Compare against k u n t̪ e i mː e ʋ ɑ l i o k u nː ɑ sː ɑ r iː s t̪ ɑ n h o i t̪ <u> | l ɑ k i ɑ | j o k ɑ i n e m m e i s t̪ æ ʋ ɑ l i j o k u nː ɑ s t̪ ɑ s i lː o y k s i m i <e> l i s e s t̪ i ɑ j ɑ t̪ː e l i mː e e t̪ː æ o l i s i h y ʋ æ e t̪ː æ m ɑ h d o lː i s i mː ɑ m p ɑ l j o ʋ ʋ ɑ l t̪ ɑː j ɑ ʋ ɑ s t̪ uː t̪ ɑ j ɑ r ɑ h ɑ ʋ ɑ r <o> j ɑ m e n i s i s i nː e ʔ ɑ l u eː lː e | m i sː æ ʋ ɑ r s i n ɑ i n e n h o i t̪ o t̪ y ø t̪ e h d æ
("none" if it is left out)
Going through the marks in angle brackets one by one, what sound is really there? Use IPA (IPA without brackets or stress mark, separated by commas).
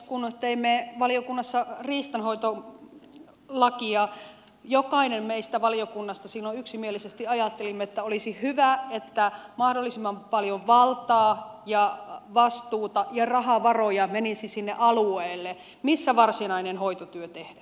o, e, o